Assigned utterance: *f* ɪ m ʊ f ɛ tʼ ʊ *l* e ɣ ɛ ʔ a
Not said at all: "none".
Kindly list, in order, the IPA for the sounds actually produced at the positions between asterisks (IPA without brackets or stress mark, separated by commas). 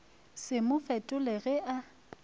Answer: s, l